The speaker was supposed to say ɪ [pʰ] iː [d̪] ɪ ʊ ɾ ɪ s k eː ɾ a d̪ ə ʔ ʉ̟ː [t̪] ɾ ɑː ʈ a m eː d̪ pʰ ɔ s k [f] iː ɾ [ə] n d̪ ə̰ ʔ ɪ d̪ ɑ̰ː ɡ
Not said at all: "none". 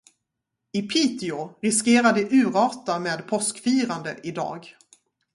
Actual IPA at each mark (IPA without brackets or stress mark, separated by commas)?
pʰ, t̪, none, f, a